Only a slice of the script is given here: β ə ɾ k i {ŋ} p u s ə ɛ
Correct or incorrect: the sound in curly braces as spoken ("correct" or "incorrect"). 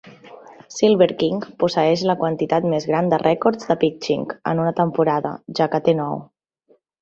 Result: correct